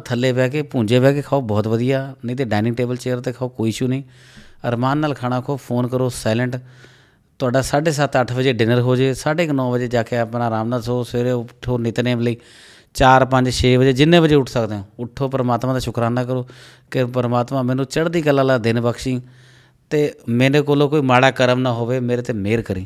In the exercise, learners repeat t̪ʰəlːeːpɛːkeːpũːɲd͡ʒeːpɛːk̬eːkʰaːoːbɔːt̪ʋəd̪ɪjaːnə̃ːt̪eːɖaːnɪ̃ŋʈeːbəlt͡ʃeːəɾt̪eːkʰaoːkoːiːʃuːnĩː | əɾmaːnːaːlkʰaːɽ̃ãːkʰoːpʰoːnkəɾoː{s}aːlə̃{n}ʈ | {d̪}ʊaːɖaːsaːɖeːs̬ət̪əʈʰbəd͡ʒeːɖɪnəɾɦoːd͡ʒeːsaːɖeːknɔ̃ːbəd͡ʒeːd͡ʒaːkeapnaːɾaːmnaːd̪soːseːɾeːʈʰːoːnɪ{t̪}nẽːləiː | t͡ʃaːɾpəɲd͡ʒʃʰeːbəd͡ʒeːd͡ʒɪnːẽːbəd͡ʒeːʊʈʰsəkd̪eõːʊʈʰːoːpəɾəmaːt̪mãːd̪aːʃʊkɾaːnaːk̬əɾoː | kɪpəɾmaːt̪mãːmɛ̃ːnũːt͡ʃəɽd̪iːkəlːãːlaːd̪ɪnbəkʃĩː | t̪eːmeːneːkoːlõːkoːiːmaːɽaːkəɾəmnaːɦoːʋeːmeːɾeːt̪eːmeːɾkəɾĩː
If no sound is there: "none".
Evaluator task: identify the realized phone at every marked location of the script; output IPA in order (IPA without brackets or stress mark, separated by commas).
s, ɳ, t̪, t̪